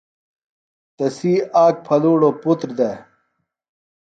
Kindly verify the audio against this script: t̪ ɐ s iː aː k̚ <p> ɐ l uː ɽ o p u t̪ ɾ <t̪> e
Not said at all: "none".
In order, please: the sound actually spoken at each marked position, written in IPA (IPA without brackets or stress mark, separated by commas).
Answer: pʰ, d̪